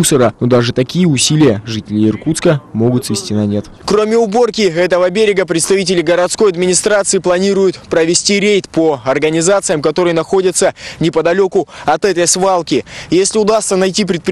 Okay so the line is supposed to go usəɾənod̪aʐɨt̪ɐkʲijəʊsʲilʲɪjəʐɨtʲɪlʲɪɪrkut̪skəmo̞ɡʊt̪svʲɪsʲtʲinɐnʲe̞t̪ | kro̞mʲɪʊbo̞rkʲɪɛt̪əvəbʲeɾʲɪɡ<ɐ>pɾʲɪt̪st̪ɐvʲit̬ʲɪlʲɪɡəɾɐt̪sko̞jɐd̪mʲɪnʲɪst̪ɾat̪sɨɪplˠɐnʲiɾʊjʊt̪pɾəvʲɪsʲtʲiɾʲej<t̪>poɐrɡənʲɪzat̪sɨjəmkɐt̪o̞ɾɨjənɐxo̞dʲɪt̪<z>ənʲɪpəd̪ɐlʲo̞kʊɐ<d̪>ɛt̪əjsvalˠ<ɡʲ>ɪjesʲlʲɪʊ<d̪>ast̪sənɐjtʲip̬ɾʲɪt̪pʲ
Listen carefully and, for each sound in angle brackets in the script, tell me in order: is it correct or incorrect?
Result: incorrect, correct, incorrect, incorrect, incorrect, correct

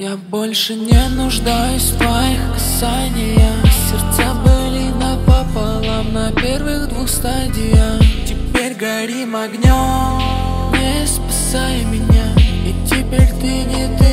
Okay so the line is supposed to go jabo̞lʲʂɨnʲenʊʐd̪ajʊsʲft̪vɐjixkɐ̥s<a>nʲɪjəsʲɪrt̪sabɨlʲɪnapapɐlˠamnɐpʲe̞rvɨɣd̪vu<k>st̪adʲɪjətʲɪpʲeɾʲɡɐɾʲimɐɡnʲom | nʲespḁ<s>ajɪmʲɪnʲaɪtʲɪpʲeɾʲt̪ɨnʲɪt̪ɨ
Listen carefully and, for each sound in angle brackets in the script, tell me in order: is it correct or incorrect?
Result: correct, incorrect, correct

